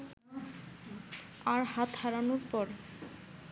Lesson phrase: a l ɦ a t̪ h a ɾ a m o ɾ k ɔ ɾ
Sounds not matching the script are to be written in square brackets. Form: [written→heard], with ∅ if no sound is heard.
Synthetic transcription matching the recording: a [l→ɾ] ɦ a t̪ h a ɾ a [m→n] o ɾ [k→p] ɔ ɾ